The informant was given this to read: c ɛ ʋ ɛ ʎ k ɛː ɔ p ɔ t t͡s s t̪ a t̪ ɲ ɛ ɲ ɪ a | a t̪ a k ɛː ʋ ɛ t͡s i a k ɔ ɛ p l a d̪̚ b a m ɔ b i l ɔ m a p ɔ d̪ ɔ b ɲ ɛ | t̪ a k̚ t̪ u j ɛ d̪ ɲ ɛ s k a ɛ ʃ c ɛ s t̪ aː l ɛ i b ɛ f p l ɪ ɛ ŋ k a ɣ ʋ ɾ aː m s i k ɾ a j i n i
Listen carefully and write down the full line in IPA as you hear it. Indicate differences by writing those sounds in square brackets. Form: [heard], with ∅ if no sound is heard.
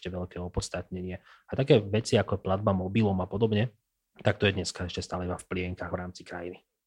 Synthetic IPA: c ɛ ʋ ɛ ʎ k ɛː ɔ p ɔ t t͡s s t̪ a t̪ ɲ ɛ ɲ ɪ [ɛ] | a t̪ a k ɛː ʋ ɛ t͡s i a k ɔ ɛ p l a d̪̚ b a m ɔ b i l ɔ m a p ɔ d̪ ɔ b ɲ ɛ | t̪ a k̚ t̪ [ɔ] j ɛ d̪ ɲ ɛ s k a ɛ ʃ c ɛ s t̪ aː l ɛ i b [a] f p l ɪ ɛ ŋ k a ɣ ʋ ɾ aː m [t͡s] i k ɾ a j i n i